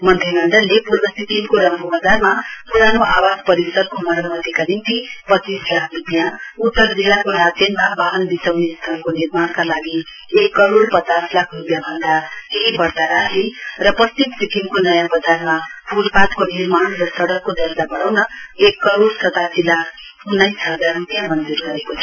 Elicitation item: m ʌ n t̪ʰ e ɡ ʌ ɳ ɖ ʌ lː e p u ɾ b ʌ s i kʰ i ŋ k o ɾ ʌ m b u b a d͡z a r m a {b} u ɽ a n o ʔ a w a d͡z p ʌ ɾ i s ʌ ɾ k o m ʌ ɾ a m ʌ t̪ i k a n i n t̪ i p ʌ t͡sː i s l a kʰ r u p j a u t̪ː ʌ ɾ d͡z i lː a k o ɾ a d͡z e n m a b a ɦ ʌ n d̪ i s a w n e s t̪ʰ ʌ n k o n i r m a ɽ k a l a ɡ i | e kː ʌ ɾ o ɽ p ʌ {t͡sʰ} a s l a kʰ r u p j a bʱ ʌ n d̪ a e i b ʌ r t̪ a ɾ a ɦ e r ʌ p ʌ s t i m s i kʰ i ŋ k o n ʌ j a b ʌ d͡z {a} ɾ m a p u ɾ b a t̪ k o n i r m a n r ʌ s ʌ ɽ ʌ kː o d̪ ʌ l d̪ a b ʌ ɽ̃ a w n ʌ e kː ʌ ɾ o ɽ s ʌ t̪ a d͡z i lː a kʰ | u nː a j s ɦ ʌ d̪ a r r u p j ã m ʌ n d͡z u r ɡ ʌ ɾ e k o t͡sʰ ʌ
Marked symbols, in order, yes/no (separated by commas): no, no, yes